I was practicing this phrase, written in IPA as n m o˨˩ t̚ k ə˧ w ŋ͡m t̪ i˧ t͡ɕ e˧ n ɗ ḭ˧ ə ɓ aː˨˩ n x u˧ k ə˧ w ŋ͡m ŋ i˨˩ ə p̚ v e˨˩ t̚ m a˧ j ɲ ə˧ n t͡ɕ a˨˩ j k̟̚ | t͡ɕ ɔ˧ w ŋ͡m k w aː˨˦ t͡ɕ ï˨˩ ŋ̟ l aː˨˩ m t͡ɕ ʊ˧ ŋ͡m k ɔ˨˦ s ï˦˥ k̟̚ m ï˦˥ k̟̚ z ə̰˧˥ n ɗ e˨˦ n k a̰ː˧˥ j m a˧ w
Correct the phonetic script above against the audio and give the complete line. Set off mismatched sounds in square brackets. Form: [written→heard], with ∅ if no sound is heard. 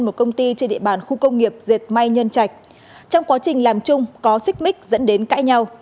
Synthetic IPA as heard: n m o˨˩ t̚ k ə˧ w ŋ͡m t̪ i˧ t͡ɕ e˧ n ɗ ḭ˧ ə ɓ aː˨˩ n x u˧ k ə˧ w ŋ͡m ŋ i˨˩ ə p̚ [v→z] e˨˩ t̚ m a˧ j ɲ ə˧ n t͡ɕ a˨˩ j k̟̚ | t͡ɕ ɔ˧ w ŋ͡m k w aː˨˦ t͡ɕ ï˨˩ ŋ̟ l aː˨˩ m t͡ɕ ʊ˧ ŋ͡m k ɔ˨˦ s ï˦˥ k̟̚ m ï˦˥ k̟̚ z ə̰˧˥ n ɗ e˨˦ n k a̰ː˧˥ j [m→ɲ] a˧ w